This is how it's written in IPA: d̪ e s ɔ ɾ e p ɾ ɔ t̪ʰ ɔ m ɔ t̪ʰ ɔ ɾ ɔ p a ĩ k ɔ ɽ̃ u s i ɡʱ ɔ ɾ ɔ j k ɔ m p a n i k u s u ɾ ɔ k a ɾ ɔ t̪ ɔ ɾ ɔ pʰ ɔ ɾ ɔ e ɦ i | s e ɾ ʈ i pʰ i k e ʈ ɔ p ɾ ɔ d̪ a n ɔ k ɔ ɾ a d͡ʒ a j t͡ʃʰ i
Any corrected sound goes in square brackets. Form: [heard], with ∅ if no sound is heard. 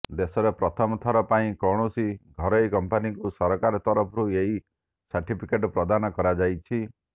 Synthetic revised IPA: d̪ e s ɔ ɾ e p ɾ ɔ t̪ʰ ɔ m ɔ t̪ʰ ɔ ɾ ɔ p a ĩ k ɔ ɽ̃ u s i ɡʱ ɔ ɾ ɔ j k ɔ m p a n i k u s [ɔ] ɾ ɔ k a ɾ ɔ t̪ ɔ ɾ ɔ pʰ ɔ ɾ [u] e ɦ i | s [a] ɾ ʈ i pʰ i k e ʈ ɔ p ɾ ɔ d̪ a n ɔ k ɔ ɾ a d͡ʒ a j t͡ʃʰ i